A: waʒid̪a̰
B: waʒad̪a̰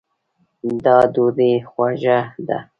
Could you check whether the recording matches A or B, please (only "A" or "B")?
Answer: B